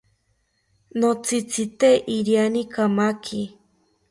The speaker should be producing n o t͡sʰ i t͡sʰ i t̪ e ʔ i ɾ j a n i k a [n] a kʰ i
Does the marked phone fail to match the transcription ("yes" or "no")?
yes